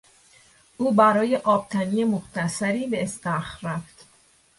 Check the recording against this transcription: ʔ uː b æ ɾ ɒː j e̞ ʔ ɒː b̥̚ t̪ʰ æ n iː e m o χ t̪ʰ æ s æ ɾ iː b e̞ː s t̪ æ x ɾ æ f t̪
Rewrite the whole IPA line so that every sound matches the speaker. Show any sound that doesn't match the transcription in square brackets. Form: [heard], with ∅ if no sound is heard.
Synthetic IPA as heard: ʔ uː b æ ɾ ɒː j e̞ ʔ ɒː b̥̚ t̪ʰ æ n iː e m o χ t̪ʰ æ s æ ɾ iː b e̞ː s t̪ æ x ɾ æ f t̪